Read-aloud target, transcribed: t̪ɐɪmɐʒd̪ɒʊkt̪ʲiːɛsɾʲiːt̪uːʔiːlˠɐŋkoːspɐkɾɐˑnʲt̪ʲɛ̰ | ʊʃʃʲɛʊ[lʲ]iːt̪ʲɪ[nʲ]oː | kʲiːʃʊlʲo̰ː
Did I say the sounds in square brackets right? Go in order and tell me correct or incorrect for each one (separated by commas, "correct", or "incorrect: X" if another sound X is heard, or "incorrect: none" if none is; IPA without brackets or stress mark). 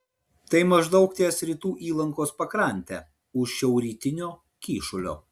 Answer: incorrect: ɾʲ, correct